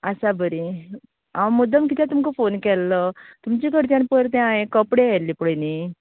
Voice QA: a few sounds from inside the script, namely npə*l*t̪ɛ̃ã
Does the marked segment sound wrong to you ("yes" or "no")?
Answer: yes